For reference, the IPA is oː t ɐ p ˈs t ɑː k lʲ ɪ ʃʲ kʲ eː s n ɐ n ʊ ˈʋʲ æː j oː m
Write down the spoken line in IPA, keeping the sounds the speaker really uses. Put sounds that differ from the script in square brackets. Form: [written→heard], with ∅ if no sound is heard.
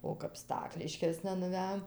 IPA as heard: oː [t→k] ɐ p ˈs t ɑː k lʲ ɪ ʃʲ kʲ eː s n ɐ n ʊ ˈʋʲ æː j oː m